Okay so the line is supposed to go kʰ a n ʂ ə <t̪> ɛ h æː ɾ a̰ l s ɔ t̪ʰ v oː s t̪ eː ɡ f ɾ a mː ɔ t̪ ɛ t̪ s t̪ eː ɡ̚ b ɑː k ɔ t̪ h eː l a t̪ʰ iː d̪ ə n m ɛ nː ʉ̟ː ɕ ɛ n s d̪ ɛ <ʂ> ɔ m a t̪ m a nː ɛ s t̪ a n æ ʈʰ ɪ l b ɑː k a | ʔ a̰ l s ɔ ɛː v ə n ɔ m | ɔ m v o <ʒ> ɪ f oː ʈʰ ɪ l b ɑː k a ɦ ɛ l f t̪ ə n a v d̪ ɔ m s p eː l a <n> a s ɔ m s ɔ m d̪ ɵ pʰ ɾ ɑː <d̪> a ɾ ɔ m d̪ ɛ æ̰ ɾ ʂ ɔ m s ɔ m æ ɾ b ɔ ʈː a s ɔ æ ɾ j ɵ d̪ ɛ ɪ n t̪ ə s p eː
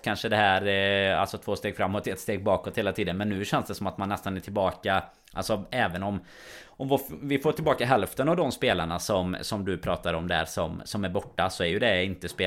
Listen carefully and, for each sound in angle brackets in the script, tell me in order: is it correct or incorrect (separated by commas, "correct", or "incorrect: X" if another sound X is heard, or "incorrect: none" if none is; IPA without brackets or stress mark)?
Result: incorrect: d̪, incorrect: s, incorrect: v, incorrect: ɳ, incorrect: t̪